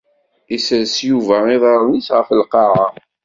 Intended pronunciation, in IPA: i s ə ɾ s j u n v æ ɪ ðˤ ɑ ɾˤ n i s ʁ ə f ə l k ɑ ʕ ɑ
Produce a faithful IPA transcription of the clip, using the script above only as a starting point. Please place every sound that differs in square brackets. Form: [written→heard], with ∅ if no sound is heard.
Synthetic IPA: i s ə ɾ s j u [n→∅] v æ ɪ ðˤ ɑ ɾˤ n i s ʁ ə f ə l [k→q] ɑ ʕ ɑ